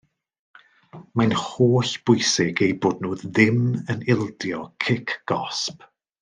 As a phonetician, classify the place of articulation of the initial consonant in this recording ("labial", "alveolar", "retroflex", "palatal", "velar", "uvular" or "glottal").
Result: labial